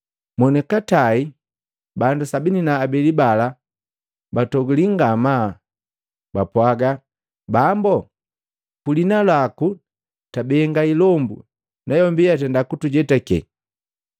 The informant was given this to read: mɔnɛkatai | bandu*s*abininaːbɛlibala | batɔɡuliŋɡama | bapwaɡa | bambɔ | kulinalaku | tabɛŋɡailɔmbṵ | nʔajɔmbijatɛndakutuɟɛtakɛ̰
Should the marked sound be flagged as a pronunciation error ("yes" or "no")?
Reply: no